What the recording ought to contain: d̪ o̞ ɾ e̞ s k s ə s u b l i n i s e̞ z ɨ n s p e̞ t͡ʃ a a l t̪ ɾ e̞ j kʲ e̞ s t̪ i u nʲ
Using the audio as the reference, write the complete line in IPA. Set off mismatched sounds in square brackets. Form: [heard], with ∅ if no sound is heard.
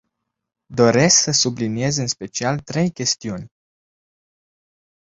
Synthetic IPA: d̪ o̞ ɾ e̞ s k s ə s u b l i n i [∅] e̞ z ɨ n s p e̞ t͡ʃ [i] a l t̪ ɾ e̞ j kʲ e̞ s t̪ i u nʲ